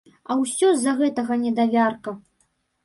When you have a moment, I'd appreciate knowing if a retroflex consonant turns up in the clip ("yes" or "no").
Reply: no